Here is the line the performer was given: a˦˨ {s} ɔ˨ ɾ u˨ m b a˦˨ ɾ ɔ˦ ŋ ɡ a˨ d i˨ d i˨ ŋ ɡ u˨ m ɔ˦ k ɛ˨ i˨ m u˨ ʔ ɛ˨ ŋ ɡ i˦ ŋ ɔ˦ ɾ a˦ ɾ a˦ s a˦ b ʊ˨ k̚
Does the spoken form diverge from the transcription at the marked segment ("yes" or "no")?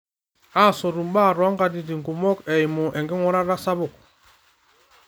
no